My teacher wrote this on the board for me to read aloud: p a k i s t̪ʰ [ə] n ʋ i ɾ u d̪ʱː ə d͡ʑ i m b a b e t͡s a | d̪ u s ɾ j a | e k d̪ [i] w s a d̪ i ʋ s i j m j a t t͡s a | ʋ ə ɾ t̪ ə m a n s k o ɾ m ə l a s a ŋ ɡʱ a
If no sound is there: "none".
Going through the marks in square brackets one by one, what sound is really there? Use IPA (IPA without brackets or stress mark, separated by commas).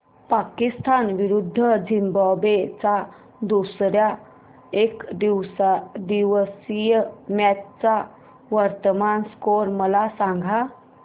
a, i